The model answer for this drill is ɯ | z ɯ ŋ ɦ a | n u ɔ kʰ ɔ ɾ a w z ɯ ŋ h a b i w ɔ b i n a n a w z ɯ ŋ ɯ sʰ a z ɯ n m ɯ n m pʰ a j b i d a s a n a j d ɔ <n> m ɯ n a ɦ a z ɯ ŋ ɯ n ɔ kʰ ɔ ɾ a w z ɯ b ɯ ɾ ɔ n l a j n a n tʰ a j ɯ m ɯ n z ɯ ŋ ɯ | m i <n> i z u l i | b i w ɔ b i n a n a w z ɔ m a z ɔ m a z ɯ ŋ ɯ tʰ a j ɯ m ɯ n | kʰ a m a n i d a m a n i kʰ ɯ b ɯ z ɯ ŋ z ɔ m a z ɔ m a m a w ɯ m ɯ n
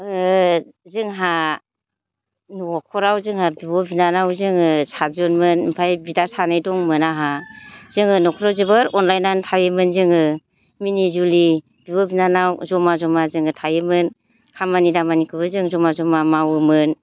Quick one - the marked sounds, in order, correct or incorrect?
incorrect: ŋ, correct

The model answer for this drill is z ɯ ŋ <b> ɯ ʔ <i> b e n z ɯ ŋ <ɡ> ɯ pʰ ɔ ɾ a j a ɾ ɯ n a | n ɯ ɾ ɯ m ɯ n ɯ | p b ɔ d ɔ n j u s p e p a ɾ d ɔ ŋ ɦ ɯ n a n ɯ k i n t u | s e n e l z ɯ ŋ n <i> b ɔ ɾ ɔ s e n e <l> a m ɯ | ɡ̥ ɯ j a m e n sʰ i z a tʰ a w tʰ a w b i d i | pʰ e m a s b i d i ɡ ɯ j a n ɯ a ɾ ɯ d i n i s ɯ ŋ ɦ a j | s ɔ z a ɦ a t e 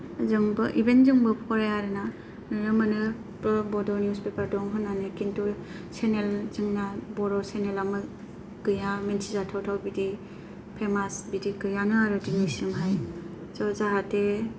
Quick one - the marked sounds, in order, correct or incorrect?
correct, correct, incorrect: b, incorrect: a, correct

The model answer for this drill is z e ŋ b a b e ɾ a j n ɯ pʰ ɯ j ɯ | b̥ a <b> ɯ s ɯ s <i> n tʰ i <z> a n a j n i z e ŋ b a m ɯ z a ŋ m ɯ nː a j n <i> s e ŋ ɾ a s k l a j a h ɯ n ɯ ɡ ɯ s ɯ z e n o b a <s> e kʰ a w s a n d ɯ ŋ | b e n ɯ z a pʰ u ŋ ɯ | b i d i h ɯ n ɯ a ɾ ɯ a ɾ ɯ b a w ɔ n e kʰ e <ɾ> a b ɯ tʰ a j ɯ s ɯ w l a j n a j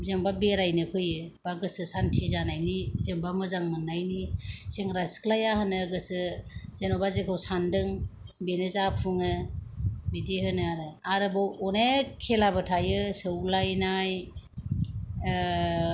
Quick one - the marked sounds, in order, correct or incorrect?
incorrect: ɡ, incorrect: a, correct, correct, incorrect: z, incorrect: l

